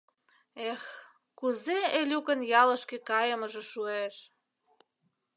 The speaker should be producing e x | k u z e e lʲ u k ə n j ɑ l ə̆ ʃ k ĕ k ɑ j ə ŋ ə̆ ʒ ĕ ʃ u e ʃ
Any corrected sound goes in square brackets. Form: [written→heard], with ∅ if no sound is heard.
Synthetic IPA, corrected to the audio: e x | k u z e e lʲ u k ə n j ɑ l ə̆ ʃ k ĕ k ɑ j ə [ŋ→m] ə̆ ʒ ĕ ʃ u e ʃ